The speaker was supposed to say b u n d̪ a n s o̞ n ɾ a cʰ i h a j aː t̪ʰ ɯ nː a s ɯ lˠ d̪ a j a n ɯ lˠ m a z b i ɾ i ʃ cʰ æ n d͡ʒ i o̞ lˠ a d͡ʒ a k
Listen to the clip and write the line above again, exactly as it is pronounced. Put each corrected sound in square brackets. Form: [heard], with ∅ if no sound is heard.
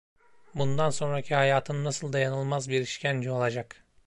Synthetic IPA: b u n d̪ a n s o̞ n ɾ a cʰ i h a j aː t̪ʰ ɯ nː a s ɯ lˠ d̪ a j a n ɯ lˠ m a z b i ɾ i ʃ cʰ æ n d͡ʒ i o̞ lˠ a d͡ʒ a k